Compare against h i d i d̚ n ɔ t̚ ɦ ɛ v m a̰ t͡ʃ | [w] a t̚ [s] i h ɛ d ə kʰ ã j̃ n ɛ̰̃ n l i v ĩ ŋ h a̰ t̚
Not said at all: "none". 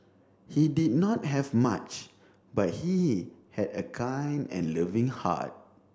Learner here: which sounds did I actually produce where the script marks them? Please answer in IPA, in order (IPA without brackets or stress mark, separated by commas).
b, h